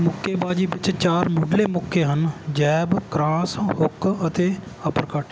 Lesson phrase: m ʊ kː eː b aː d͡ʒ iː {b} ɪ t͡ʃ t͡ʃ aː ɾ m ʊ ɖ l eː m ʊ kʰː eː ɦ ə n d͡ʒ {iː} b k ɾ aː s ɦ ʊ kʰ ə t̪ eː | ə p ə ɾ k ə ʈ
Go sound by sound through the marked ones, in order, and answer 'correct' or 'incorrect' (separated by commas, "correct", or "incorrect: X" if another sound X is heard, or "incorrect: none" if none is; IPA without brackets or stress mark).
correct, incorrect: ɛː